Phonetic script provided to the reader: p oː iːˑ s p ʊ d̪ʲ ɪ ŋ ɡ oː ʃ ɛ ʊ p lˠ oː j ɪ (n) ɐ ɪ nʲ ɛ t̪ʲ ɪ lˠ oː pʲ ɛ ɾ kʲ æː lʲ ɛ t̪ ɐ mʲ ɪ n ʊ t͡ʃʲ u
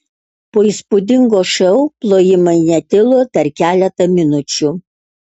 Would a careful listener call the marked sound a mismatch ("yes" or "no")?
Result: yes